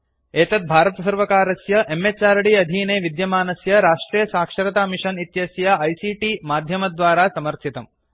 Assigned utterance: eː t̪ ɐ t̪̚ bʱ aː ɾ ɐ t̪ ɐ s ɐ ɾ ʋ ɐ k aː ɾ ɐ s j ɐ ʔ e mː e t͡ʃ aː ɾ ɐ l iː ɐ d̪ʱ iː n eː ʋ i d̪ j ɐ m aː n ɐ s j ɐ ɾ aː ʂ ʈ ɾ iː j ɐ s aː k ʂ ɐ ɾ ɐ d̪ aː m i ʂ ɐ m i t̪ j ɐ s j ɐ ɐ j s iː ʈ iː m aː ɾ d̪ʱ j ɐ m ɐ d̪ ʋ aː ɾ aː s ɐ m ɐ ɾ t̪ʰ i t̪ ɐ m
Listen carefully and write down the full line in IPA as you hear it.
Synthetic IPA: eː t̪ ɐ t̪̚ bʱ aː ɾ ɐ t̪ ɐ s ɐ ɾ ʋ ɐ k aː ɾ ɐ s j ɐ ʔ e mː e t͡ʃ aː ɾ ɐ ɽ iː ɐ d̪ʱ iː n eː ʋ i d̪ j ɐ m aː n ɐ s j ɐ ɾ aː ʂ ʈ ɾ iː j ɐ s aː k ʂ ɐ ɾ ɐ t̪ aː m i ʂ ɐ n i t̪ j ɐ s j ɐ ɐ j s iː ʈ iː m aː d̪ʱ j ɐ m ɐ d̪ ʋ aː ɾ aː s ɐ m ɐ ɾ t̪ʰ i t̪ ɐ m